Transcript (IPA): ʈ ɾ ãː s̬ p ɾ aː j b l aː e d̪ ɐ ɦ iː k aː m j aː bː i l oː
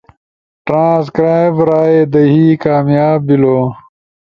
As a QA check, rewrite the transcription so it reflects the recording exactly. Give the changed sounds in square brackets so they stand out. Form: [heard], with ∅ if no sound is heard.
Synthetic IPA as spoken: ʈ ɾ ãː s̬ [k] ɾ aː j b [ɾ] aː e d̪ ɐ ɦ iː k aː m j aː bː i l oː